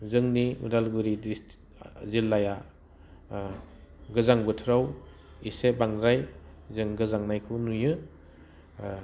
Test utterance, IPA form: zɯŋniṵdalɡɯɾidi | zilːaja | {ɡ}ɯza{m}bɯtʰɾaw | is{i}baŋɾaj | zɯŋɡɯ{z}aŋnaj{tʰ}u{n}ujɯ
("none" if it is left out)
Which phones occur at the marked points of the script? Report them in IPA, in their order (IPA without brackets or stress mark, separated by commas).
ɡ, ŋ, e, z, kʰ, n